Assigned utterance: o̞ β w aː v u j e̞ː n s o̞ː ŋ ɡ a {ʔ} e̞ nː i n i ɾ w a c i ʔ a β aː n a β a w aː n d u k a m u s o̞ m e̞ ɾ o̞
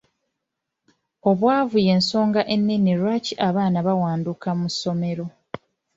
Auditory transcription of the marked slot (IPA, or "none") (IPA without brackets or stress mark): ʔ